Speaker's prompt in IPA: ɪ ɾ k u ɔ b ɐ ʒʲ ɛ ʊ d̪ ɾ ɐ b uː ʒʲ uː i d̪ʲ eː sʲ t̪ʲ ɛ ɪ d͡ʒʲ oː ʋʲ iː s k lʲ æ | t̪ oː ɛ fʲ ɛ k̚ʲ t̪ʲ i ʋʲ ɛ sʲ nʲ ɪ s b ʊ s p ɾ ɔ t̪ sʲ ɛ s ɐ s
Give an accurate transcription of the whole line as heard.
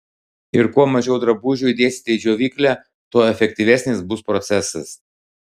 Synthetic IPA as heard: ɪ ɾ k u ɔ m ɐ ʒʲ ɛ ʊ d̪ ɾ ɐ b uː ʒʲ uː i d̪ʲ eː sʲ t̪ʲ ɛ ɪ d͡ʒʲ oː ʋʲ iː k lʲ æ | t̪ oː ɛ fʲ ɛ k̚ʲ t̪ʲ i ʋʲ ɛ sʲ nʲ ɪ s b ʊ s p ɾ ɔ t̪ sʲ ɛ s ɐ s